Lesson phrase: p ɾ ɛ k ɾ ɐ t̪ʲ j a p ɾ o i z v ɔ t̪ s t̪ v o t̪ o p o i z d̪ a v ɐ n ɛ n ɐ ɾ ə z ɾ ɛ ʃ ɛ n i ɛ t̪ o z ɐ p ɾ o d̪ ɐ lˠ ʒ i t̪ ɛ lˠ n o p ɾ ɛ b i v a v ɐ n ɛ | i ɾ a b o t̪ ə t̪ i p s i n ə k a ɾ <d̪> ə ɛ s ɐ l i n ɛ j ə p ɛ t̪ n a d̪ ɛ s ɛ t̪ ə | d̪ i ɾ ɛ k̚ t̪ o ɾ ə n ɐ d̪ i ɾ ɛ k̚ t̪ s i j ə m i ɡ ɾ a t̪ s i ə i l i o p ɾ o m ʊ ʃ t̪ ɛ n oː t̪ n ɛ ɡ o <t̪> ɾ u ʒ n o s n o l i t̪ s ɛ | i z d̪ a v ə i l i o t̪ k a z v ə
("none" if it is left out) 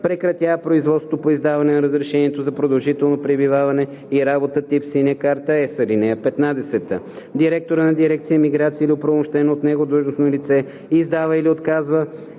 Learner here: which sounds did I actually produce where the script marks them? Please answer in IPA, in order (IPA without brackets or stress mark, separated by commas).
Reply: t̪, d̪